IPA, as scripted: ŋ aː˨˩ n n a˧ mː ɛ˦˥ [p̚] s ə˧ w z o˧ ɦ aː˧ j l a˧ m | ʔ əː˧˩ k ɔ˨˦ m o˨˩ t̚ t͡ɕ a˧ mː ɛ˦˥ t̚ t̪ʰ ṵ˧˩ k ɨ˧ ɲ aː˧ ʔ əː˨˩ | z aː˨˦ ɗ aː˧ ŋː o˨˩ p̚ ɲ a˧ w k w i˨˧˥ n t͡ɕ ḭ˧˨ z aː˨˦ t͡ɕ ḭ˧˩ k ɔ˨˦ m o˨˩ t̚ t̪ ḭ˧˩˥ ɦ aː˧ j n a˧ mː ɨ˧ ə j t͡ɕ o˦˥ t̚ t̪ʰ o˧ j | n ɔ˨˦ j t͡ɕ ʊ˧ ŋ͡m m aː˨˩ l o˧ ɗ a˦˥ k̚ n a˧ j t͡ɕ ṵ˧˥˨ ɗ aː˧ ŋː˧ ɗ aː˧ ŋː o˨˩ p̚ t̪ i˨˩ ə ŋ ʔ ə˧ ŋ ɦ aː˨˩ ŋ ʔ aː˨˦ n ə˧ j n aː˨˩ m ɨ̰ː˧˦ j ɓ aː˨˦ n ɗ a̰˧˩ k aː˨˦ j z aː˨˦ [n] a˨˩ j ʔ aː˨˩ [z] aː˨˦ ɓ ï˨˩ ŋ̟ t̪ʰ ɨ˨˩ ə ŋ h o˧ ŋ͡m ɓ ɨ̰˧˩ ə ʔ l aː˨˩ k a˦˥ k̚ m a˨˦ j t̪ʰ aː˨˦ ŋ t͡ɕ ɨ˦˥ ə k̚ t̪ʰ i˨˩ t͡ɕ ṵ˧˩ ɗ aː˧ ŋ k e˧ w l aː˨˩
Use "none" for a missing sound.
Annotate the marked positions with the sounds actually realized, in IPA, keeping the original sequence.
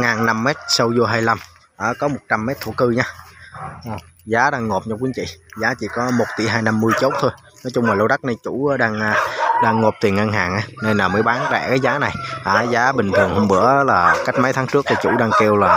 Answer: t̚, n, z

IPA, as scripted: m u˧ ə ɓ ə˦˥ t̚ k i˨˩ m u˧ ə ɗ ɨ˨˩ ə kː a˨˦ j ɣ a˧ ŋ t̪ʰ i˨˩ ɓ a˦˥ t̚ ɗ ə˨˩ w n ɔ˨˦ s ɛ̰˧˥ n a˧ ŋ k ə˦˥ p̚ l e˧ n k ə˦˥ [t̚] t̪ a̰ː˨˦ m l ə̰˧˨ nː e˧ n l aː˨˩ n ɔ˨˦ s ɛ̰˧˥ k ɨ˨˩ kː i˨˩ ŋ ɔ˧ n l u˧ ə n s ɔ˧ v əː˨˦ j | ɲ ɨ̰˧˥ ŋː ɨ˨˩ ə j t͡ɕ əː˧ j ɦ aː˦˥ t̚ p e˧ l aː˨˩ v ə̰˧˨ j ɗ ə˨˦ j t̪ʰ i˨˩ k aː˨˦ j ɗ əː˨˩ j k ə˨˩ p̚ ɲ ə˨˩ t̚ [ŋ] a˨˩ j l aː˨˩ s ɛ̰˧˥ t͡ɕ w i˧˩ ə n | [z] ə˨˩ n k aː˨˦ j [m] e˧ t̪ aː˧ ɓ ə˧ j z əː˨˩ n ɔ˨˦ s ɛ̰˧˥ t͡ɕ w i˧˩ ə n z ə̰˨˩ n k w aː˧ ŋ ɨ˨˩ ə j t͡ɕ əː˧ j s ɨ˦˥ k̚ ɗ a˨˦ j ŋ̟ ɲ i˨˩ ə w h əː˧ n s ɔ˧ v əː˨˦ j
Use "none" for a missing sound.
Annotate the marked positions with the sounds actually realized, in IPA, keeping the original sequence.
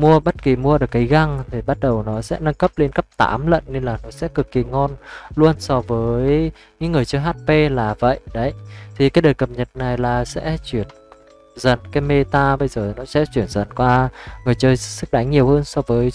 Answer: p̚, n, z, m

